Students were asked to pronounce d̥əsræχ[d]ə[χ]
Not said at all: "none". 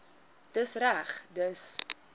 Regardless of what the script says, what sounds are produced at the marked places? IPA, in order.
d, s

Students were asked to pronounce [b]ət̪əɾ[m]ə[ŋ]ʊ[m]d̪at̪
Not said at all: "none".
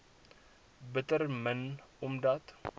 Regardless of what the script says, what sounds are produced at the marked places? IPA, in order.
b, m, n, m

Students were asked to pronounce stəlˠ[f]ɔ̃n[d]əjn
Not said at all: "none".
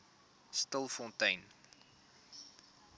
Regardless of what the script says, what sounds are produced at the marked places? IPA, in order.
f, t

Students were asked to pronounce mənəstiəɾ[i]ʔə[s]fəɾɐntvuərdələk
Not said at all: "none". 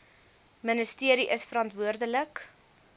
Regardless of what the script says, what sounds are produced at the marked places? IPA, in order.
i, s

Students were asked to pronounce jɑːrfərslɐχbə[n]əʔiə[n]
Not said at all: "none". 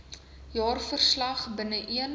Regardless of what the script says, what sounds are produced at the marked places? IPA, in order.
n, n

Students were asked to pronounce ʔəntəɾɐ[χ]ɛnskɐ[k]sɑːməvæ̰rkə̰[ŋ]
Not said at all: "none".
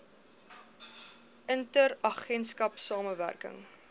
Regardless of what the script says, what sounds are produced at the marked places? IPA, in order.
χ, p, ŋ

